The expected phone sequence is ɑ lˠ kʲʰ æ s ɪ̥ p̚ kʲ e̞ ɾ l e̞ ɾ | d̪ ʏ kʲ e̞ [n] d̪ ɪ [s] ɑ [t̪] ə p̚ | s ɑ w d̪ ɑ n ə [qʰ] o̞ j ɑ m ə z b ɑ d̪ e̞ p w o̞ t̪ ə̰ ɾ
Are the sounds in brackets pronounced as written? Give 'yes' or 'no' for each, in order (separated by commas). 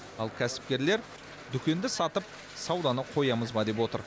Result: yes, yes, yes, yes